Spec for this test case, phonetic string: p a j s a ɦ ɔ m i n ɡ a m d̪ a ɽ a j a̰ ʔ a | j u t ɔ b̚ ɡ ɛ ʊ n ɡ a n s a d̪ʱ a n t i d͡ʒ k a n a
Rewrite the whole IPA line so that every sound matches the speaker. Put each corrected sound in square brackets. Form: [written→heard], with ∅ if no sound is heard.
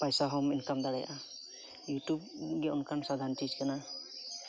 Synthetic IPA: p a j s a ɦ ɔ m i n [ɡ→k] a m d̪ a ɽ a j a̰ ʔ a | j u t [ɔ→u] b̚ ɡ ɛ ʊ n [ɡ→k] a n s a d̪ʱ a n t i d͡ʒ k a n a